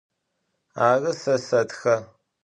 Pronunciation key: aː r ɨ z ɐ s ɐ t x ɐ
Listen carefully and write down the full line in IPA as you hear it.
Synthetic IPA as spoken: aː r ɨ s ɐ s ɐ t x ɐ